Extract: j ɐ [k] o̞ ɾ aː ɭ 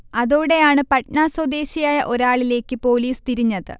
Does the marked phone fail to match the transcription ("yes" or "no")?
yes